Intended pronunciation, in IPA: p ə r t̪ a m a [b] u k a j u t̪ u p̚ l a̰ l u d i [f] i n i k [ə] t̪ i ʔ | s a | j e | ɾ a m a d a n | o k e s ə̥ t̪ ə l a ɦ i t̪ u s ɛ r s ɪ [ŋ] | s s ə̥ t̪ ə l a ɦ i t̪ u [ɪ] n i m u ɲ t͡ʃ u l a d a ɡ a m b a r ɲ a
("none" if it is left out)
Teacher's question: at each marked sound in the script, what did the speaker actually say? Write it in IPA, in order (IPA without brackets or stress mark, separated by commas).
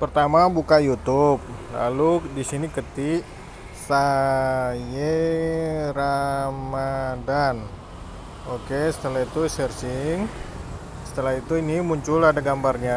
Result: b, s, ə, ŋ, i